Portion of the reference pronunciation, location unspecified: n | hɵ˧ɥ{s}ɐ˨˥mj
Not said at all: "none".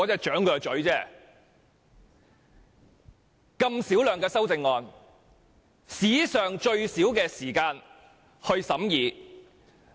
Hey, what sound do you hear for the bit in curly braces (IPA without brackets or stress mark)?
s